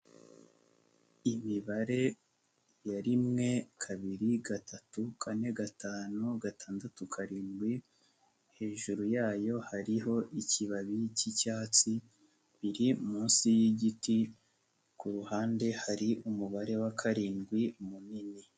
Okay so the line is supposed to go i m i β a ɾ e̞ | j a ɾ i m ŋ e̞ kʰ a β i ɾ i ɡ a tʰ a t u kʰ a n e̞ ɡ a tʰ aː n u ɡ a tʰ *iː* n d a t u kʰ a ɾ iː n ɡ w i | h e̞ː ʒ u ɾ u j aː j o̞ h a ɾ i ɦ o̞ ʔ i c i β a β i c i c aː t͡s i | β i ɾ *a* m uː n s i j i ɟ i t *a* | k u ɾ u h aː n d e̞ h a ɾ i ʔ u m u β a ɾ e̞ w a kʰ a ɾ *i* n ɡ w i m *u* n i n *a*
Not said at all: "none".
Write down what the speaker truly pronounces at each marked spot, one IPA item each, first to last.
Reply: aː, i, i, iː, u, i

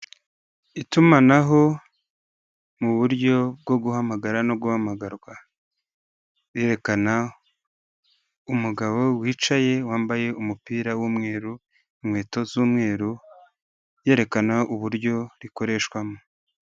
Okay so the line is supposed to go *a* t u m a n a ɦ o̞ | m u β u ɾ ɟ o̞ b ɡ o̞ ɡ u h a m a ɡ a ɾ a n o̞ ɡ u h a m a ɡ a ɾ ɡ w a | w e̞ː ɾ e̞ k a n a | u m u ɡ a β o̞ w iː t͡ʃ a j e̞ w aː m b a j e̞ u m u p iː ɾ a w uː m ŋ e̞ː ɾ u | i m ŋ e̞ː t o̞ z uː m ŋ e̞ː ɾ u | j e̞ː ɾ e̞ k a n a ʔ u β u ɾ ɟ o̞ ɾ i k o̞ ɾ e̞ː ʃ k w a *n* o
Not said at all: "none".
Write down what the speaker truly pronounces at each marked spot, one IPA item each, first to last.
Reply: i, m

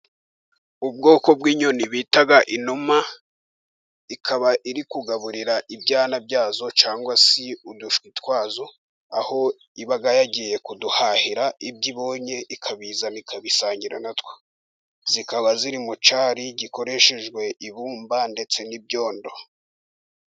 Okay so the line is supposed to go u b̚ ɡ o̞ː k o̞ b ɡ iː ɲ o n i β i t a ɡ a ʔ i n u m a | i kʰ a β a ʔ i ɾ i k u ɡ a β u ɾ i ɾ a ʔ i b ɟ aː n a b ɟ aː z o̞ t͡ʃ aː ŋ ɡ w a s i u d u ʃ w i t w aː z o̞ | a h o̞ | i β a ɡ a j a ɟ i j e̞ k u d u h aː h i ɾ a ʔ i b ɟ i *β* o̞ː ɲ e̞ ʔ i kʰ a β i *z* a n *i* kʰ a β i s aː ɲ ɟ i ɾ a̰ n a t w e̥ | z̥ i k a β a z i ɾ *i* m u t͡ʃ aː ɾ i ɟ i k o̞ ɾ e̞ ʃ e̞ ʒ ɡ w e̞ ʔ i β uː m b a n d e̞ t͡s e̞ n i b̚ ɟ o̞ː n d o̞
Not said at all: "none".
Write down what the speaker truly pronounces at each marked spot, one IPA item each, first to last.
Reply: β, z, i, i

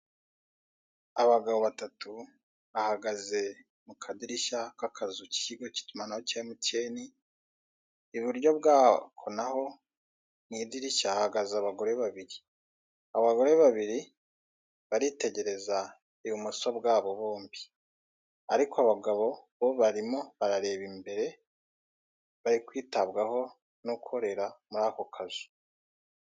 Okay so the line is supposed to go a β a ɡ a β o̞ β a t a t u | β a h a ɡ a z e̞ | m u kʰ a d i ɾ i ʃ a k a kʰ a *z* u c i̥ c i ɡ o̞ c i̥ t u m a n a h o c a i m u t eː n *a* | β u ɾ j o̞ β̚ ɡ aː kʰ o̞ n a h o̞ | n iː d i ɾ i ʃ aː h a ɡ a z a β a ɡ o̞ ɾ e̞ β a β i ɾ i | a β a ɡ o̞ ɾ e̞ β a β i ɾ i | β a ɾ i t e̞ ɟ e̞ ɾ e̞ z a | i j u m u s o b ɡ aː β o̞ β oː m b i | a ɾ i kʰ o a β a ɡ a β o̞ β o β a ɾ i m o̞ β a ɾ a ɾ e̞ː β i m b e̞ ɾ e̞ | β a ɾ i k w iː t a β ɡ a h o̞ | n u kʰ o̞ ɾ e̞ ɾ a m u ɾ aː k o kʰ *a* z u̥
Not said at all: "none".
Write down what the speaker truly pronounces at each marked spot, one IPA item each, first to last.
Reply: z, i, a

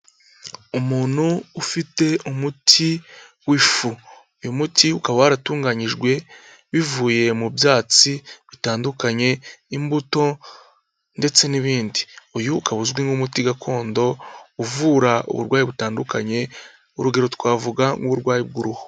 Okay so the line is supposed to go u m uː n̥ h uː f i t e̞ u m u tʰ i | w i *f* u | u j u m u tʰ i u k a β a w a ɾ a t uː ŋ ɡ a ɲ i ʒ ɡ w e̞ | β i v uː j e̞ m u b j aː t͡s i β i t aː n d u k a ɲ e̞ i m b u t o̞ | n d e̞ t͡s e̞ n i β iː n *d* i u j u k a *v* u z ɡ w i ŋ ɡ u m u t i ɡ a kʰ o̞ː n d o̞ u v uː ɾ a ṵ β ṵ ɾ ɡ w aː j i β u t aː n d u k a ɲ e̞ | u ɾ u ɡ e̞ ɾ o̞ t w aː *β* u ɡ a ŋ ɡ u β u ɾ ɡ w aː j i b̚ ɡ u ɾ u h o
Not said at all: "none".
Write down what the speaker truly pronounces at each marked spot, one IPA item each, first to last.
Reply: f, d, β, v

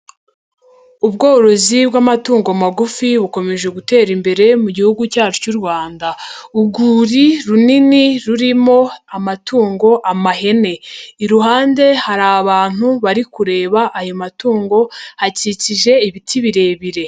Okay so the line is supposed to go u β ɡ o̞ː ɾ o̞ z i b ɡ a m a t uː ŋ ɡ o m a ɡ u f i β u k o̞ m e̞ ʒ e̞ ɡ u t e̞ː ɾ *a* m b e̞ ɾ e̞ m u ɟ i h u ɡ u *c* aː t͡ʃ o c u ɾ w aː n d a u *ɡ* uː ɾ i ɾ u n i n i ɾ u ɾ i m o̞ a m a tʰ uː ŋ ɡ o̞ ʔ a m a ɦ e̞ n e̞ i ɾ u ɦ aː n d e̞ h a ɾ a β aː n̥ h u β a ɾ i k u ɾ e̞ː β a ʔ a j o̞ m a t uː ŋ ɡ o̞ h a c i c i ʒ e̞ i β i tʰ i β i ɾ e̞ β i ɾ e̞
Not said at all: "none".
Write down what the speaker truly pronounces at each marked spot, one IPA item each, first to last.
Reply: i, c, ɡ

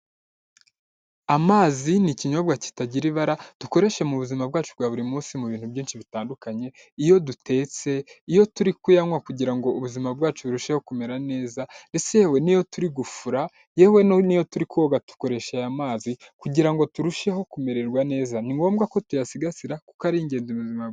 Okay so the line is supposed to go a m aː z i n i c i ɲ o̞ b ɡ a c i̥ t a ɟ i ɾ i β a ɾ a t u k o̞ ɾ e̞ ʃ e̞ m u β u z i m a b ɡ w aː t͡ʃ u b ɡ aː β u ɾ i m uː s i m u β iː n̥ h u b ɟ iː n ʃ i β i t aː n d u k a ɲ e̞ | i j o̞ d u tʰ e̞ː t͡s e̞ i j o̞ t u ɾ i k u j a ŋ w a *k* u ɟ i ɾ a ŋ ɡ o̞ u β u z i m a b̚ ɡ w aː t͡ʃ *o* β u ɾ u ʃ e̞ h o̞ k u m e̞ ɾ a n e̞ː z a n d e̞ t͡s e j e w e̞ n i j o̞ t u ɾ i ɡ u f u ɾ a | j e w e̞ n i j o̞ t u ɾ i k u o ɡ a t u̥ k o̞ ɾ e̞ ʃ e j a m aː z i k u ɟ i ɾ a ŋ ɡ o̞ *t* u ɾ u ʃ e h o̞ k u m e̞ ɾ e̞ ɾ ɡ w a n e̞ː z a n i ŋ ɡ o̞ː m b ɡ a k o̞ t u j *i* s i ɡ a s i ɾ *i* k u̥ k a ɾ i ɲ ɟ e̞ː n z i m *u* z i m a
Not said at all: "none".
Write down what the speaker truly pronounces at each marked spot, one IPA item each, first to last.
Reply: k, u, t, a, a, u

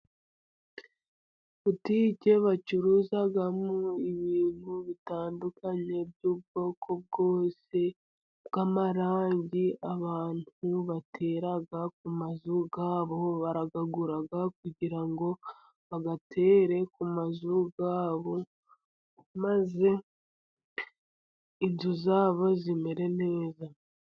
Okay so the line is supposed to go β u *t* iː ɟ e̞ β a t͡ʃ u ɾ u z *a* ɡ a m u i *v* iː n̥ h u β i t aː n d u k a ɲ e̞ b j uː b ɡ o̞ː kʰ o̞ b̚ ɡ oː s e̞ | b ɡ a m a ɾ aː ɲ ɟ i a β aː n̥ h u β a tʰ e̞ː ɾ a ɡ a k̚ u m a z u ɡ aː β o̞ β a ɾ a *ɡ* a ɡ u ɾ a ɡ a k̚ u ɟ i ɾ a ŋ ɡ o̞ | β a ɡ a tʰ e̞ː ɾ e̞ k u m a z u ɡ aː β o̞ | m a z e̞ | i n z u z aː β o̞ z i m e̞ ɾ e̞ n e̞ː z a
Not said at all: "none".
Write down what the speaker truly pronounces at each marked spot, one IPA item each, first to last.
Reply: t, a, β, ɡ

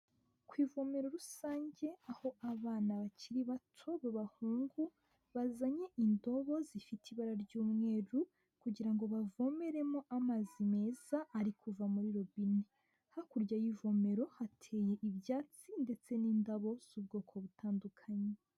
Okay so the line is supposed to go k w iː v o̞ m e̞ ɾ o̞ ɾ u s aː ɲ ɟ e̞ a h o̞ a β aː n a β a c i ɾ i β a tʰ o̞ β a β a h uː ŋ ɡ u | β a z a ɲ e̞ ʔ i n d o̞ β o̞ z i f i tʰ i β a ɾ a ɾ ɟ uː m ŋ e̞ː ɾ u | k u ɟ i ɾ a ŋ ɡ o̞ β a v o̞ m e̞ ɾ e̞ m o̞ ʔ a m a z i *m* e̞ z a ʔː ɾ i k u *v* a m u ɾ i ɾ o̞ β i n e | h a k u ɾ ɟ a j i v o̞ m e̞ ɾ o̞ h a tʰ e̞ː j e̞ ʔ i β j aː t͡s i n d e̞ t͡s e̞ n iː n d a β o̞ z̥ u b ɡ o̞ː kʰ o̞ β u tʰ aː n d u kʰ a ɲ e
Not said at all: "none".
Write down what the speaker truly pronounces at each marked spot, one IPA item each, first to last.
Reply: m, v

